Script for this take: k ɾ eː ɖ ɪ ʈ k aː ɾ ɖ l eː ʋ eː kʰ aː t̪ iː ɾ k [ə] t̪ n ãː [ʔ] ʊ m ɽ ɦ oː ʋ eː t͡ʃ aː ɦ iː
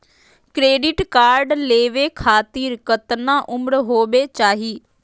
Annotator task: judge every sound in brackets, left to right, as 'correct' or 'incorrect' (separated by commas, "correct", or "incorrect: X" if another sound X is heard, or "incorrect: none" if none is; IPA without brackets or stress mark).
correct, correct